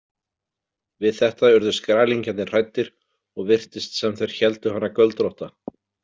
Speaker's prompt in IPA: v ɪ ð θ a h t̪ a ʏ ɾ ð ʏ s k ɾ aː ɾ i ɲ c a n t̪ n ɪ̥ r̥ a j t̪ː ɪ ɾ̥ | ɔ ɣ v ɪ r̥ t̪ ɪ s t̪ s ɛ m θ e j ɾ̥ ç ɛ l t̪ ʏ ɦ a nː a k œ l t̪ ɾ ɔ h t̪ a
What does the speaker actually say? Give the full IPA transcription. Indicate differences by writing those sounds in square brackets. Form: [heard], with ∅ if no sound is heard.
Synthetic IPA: v ɪ ð θ [ɛ] h t̪ a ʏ ɾ ð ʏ s k ɾ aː [l] i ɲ c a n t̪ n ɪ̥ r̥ a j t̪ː ɪ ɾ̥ | ɔ ɣ v ɪ r̥ t̪ ɪ s t̪ s ɛ m θ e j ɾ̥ ç ɛ l t̪ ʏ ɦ a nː a k œ l t̪ ɾ ɔ h t̪ a